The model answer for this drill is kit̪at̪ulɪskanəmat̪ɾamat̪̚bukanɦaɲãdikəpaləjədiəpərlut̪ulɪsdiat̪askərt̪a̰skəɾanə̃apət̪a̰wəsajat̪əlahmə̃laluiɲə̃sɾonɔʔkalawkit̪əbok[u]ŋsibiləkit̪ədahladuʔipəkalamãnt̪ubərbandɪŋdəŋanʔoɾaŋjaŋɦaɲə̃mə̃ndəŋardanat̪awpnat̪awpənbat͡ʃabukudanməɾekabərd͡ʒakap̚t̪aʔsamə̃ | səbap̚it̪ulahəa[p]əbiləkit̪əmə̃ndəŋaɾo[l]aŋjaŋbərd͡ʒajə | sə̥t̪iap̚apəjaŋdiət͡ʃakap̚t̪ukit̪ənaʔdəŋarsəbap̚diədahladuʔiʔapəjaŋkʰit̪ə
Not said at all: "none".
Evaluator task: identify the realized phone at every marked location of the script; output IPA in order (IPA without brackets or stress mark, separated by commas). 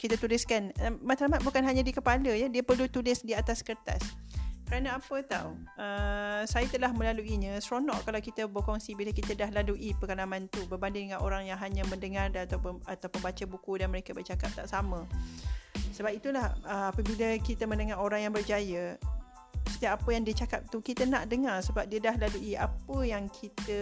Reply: ɔ, p, ɾ